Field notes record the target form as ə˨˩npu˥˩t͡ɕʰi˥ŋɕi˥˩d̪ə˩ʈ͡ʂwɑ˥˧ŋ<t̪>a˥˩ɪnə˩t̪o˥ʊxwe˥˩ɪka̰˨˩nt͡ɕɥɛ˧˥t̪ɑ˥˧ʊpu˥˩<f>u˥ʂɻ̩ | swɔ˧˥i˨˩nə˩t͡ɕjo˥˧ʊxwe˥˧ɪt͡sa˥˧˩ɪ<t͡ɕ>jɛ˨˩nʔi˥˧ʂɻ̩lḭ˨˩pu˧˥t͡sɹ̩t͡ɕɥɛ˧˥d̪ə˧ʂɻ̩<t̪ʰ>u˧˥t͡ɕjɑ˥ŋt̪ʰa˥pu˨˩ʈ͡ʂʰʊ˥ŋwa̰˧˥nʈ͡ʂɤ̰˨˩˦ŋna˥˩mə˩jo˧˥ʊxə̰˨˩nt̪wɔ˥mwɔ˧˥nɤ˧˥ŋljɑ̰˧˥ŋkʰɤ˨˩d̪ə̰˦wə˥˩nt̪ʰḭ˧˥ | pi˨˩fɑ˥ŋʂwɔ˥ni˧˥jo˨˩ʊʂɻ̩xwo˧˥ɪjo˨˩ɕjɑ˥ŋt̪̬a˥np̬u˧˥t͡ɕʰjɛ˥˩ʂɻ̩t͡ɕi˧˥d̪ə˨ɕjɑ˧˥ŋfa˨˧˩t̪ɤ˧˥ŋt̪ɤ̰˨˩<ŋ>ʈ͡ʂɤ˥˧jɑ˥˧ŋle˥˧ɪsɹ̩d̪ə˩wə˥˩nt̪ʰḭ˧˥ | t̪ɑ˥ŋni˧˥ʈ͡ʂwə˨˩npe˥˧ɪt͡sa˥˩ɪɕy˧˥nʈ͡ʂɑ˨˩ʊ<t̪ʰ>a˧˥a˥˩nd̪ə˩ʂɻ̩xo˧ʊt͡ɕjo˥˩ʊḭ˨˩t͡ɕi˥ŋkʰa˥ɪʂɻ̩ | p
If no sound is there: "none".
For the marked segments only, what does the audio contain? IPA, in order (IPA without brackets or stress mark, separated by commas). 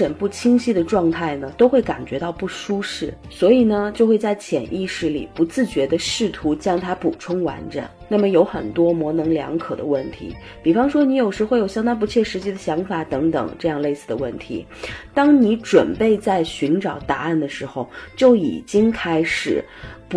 t̪ʰ, ʂ, t͡ɕʰ, t̪ʰ, ŋ, t̪